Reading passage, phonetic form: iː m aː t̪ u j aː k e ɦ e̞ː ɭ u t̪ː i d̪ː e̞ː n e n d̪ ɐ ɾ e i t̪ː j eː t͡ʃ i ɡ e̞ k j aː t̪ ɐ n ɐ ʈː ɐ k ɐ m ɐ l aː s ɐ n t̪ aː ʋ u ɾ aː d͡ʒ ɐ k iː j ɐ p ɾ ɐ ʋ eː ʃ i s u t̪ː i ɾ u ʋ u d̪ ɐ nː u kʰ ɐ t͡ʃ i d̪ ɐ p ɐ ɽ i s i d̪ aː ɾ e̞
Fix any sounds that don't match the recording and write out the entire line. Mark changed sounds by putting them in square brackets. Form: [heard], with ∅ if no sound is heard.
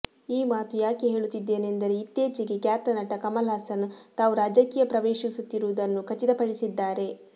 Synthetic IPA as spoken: iː m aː t̪ u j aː k e ɦ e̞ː ɭ u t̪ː i d̪ː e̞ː n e n d̪ ɐ ɾ e i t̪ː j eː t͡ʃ i ɡ e̞ k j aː t̪ ɐ n ɐ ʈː ɐ k ɐ m ɐ l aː s ɐ n t̪ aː ʋ u ɾ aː d͡ʒ ɐ k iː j ɐ p ɾ ɐ ʋ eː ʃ i s u t̪ː i ɾ u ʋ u d̪ ɐ nː u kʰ ɐ t͡ʃ i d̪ ɐ p ɐ ɽ i s i [d̪ː] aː ɾ e̞